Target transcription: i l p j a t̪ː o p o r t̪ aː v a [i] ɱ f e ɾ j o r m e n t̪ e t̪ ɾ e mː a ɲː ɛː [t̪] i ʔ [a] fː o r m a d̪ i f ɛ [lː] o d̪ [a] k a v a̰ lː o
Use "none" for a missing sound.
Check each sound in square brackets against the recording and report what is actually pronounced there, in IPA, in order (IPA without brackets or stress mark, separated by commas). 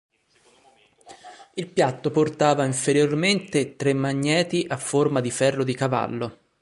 i, t̪, a, rː, i